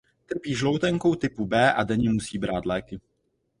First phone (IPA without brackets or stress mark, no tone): t̪